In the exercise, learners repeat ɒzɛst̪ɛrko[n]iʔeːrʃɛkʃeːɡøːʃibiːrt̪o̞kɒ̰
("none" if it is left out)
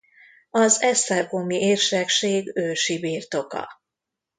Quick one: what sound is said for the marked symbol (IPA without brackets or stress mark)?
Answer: m